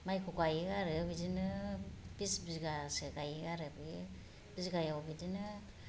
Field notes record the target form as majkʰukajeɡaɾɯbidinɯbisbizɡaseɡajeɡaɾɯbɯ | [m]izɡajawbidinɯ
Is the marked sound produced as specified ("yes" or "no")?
no